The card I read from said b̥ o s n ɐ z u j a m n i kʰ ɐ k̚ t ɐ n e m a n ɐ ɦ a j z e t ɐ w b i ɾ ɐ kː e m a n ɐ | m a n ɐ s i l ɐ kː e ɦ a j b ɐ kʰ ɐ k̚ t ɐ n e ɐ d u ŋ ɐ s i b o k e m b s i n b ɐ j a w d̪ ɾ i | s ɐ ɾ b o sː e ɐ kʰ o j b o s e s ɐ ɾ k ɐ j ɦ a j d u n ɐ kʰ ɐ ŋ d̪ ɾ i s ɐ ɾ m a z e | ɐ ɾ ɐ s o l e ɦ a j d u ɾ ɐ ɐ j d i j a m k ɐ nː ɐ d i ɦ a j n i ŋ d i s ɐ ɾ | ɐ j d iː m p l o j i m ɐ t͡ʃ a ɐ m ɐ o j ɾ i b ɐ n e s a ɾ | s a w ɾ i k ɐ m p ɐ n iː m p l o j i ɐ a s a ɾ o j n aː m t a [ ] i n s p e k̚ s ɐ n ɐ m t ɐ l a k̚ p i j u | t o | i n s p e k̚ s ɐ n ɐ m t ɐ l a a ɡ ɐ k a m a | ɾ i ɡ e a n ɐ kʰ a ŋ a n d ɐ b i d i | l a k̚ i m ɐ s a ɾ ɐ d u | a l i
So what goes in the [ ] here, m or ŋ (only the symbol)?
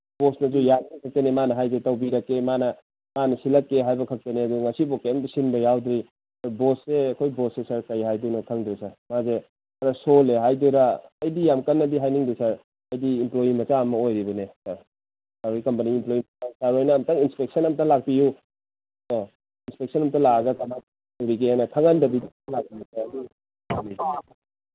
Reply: ŋ